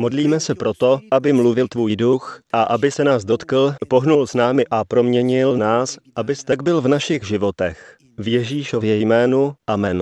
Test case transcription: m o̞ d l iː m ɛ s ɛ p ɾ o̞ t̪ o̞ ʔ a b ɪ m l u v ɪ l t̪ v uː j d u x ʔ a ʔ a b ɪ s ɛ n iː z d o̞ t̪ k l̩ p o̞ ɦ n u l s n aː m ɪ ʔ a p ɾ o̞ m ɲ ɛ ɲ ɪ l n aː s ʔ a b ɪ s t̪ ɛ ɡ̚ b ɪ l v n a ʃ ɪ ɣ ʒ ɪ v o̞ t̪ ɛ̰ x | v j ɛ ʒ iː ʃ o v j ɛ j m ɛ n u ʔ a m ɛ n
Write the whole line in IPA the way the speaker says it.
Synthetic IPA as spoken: m o̞ d l iː m ɛ s ɛ p ɾ o̞ t̪ o̞ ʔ a b ɪ m l u v ɪ l t̪ v uː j d u x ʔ a ʔ a b ɪ s ɛ n aː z d o̞ t̪ k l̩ p o̞ ɦ n u l s n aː m ɪ ʔ a p ɾ o̞ m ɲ ɛ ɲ ɪ l n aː s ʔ a b ɪ s t̪ ɛ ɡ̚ b ɪ l v n a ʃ ɪ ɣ ʒ ɪ v o̞ t̪ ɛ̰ x | v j ɛ ʒ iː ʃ o v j ɛ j m ɛː n u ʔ a m ɛ n